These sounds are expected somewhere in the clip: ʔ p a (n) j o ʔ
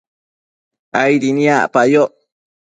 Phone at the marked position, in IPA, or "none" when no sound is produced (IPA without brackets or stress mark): none